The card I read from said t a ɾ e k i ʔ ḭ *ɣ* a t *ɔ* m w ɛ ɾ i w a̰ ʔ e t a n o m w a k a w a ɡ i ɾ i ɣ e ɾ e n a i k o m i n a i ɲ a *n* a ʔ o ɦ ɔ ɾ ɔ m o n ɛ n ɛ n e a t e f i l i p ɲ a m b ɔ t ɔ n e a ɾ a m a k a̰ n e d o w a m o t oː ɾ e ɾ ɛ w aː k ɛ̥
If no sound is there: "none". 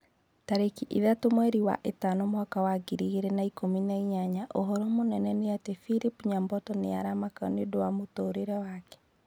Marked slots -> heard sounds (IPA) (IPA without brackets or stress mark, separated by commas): ð, o, ɲ